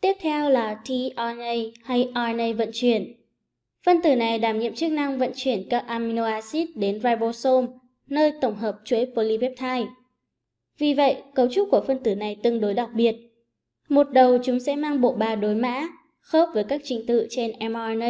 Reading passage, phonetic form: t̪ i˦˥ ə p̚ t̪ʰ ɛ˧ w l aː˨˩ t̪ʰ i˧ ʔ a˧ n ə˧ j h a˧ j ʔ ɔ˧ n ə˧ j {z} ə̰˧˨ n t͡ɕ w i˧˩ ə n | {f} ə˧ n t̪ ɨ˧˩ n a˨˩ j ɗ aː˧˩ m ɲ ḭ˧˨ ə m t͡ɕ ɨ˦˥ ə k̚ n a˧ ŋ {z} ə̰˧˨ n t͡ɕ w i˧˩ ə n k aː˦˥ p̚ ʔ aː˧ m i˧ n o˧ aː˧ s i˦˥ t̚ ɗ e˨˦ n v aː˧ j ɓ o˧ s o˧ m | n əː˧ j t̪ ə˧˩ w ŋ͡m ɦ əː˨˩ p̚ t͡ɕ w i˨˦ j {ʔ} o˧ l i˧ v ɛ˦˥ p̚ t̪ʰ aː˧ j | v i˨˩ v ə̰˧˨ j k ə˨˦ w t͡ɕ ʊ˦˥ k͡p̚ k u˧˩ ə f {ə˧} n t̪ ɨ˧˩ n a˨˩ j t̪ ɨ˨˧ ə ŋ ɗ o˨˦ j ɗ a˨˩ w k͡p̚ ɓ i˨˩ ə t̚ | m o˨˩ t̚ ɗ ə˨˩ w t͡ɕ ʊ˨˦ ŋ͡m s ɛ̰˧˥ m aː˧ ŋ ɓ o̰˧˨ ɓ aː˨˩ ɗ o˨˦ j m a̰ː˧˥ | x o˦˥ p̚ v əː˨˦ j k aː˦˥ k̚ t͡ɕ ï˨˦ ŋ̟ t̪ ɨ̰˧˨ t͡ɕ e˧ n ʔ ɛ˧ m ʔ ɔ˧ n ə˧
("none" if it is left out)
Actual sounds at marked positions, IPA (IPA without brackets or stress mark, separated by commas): v, f, v, p, ə˧